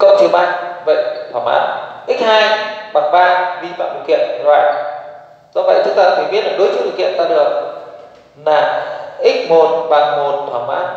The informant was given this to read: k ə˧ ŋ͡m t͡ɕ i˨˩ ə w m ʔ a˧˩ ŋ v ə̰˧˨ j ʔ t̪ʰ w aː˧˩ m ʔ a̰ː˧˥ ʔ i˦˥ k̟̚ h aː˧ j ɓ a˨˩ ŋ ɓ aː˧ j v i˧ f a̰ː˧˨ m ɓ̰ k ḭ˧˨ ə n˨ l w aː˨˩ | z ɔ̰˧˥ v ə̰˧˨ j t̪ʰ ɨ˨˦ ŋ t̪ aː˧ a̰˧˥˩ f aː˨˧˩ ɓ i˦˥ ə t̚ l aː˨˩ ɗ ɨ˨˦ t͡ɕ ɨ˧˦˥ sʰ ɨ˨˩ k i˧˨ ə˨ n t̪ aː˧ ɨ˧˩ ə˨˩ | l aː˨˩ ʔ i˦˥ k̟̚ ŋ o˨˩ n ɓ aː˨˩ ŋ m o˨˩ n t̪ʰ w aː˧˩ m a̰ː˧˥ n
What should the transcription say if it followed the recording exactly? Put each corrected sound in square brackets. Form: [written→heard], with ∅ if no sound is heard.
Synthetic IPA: k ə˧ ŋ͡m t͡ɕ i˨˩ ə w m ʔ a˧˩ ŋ v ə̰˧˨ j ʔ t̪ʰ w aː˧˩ m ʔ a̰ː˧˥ ʔ i˦˥ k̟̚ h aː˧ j ɓ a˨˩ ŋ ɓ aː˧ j v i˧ f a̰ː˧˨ m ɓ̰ k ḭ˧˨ ə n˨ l w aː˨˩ | z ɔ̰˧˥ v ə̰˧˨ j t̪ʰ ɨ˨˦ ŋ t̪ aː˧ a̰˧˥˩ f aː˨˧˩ ɓ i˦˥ ə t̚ l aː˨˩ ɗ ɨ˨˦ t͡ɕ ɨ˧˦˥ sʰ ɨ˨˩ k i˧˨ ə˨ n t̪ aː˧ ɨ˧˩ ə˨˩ | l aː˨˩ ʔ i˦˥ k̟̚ [ŋ→m] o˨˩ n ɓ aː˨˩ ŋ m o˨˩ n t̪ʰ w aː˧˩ m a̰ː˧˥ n

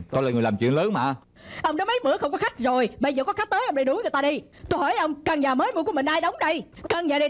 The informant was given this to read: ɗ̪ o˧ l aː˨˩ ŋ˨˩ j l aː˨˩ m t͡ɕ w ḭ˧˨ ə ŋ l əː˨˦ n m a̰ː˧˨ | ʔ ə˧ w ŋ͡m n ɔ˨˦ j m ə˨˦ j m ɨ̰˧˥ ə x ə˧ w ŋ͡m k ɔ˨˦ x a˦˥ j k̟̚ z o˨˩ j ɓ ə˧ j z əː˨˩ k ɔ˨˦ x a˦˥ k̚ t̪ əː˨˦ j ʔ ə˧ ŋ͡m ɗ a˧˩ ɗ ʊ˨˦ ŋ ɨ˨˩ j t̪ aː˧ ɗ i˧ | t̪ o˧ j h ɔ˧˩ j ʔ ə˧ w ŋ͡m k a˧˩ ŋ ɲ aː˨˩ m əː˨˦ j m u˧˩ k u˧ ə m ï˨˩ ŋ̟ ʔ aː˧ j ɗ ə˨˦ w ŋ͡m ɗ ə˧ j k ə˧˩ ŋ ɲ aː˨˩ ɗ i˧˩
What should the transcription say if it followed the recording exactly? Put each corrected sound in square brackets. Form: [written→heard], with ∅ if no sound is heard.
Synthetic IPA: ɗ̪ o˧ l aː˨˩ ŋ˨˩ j l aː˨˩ m t͡ɕ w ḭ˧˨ ə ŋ l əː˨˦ n m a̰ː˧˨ | ʔ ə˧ w ŋ͡m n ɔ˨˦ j m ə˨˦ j m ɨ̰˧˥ ə x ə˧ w ŋ͡m k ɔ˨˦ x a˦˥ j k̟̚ z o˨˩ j ɓ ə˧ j z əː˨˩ k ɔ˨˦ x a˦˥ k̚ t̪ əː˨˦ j ʔ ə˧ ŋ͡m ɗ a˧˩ ɗ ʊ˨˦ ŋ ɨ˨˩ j t̪ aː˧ ɗ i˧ | t̪ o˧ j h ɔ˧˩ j ʔ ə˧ w ŋ͡m k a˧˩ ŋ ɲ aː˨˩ m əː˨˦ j m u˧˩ k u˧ ə m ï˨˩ ŋ̟ ʔ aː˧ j ɗ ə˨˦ w ŋ͡m ɗ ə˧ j k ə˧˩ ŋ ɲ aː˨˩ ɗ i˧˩

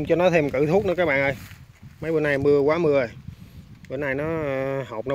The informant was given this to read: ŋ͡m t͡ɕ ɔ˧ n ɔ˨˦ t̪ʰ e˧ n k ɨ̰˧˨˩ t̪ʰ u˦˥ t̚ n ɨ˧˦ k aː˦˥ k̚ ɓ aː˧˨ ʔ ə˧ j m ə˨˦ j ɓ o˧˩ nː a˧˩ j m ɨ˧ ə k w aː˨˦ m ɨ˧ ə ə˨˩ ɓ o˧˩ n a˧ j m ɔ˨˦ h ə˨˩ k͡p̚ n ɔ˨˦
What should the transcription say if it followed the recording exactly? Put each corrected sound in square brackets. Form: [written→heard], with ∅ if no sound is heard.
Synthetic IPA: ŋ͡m t͡ɕ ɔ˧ n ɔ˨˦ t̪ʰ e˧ [n→m] k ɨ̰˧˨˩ t̪ʰ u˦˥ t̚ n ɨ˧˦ k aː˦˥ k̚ ɓ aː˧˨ ʔ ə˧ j m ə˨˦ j ɓ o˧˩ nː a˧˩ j m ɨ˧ ə k w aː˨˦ m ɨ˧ ə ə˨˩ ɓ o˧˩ n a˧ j [m→n] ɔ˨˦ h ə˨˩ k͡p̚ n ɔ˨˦

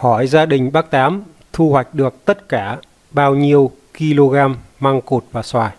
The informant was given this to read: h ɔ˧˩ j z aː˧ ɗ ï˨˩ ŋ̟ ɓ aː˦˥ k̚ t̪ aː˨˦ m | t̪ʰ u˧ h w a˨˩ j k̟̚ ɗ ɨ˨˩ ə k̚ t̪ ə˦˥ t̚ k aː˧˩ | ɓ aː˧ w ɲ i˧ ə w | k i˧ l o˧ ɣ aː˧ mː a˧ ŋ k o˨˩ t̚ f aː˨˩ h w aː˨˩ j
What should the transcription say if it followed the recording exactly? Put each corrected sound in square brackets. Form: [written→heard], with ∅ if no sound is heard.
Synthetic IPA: h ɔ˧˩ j z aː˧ ɗ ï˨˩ ŋ̟ ɓ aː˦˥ k̚ t̪ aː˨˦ m | t̪ʰ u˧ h w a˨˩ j k̟̚ ɗ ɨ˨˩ ə k̚ t̪ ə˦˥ t̚ k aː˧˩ | ɓ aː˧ w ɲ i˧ ə w | k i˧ l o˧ ɣ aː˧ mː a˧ ŋ k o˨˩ t̚ [f→v] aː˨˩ [h→s] w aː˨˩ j

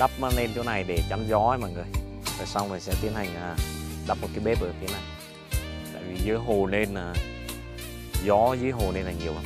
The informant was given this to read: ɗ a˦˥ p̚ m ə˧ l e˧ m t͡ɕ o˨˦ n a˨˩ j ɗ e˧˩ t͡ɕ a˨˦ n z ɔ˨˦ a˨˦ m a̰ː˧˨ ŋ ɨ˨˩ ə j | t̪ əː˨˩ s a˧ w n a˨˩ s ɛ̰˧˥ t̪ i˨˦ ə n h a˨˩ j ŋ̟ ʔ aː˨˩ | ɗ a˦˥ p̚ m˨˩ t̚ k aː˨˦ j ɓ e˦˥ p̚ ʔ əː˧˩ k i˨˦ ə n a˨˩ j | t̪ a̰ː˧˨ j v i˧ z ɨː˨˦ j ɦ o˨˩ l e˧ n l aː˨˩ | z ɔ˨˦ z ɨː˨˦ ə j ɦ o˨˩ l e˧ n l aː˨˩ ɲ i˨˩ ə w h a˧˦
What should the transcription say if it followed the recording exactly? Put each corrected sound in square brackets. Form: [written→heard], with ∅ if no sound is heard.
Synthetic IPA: ɗ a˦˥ p̚ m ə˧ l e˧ [m→n] t͡ɕ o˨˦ n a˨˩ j ɗ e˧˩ t͡ɕ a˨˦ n z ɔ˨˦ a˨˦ m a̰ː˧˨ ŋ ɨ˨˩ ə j | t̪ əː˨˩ s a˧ w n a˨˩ s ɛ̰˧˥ t̪ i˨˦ ə n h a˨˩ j ŋ̟ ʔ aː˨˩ | ɗ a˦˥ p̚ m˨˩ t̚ k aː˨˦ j ɓ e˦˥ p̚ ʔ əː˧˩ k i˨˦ ə n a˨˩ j | t̪ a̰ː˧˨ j v [i˧→i˨˩] z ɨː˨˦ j ɦ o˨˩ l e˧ n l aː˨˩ | z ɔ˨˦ z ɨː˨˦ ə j ɦ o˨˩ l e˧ n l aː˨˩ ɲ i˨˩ ə w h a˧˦

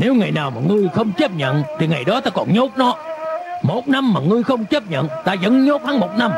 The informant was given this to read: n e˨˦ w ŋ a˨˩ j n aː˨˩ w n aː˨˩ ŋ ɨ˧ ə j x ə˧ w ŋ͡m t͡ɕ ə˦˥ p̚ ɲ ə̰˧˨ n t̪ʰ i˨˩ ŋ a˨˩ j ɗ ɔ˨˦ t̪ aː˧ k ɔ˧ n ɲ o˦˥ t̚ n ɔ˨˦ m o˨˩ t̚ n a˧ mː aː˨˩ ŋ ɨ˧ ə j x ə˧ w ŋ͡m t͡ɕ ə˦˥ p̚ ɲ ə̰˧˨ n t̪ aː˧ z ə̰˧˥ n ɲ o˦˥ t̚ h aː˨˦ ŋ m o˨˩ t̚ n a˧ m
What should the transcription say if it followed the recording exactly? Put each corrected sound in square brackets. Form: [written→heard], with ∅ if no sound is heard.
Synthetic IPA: n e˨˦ w ŋ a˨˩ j n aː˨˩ w [n→m] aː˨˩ ŋ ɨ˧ ə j x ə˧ w ŋ͡m t͡ɕ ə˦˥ p̚ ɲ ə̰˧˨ n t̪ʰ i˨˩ ŋ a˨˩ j ɗ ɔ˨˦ t̪ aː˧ k [ɔ˧→ɔ˨˩] n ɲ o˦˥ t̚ n ɔ˨˦ m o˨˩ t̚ n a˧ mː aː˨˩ ŋ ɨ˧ ə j x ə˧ w ŋ͡m t͡ɕ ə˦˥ p̚ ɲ ə̰˧˨ n t̪ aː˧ z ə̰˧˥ n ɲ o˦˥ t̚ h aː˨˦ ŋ m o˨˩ t̚ n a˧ m

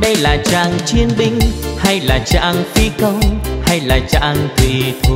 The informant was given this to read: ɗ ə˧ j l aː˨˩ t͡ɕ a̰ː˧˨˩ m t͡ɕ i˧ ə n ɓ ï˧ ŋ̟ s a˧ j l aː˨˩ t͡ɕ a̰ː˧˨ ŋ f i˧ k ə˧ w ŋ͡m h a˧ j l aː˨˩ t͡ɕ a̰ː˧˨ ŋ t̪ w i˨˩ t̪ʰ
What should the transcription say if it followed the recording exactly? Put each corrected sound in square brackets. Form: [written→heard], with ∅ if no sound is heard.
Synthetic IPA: ɗ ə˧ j l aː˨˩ t͡ɕ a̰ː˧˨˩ [m→ŋ] t͡ɕ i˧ ə n ɓ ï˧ ŋ̟ [s→h] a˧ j l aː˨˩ t͡ɕ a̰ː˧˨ ŋ f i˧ k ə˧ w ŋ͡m h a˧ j l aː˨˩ t͡ɕ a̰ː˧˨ ŋ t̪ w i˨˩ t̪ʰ

